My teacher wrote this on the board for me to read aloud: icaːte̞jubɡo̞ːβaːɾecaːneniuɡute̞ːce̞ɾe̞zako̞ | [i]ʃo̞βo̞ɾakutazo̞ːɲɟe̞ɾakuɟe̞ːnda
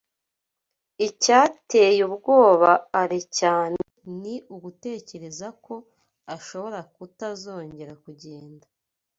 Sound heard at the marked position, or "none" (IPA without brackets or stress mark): a